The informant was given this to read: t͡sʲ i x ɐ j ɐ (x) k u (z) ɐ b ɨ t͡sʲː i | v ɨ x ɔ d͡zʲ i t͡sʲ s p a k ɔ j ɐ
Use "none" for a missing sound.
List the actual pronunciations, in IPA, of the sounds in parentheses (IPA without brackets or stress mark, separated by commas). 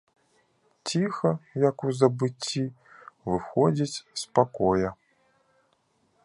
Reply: none, z